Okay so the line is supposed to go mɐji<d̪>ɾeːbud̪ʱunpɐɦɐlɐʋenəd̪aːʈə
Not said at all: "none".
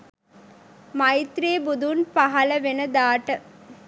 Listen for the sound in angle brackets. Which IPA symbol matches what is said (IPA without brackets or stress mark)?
t̪